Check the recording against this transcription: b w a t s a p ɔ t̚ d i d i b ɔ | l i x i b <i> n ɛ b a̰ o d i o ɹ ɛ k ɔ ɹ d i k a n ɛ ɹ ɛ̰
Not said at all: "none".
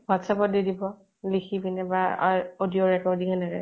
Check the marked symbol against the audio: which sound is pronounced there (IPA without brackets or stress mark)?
i